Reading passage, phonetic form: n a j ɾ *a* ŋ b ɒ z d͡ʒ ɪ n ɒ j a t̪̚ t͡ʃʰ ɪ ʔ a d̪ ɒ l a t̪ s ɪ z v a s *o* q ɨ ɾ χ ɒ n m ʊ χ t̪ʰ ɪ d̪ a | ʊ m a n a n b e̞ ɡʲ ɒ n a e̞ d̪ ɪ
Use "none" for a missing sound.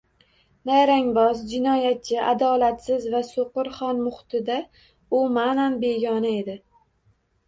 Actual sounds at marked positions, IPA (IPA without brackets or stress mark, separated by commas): a, o